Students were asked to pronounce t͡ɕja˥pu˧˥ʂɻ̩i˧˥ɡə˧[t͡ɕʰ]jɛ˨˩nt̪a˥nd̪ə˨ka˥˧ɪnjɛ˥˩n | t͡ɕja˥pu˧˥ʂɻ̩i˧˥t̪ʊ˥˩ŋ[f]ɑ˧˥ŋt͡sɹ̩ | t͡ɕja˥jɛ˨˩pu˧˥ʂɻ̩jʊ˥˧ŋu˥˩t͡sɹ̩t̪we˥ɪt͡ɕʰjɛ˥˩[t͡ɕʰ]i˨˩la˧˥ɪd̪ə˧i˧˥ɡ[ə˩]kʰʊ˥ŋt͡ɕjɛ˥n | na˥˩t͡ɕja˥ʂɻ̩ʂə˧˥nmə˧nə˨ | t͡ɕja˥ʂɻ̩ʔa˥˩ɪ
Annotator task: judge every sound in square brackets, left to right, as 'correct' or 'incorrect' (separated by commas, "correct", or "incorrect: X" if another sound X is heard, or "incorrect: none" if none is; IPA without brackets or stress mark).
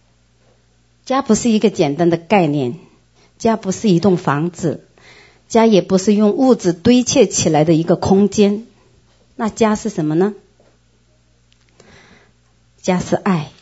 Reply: incorrect: t͡ɕ, correct, correct, incorrect: ə˧